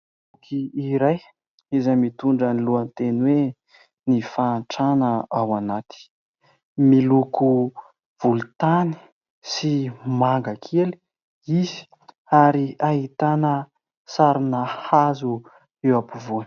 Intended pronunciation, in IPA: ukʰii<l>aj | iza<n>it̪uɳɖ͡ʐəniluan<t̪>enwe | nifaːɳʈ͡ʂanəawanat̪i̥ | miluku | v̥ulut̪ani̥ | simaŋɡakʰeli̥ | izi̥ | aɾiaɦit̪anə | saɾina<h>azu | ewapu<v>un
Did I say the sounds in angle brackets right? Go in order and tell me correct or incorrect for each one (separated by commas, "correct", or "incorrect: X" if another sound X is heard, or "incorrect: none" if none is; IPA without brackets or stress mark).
incorrect: ɾ, incorrect: m, correct, correct, correct